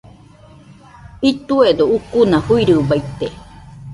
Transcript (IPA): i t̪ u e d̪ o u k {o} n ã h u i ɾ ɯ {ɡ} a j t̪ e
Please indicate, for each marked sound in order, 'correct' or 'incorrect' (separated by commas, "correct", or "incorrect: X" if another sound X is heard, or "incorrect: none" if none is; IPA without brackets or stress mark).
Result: incorrect: u, incorrect: b